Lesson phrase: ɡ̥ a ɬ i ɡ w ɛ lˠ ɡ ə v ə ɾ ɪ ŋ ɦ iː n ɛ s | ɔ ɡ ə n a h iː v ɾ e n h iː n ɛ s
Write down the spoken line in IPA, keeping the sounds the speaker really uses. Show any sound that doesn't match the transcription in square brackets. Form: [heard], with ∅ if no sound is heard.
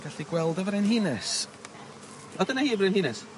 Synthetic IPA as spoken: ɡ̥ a ɬ i ɡ w ɛ lˠ [d] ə v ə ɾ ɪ [n] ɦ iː n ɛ s | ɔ [d] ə n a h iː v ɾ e n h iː n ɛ s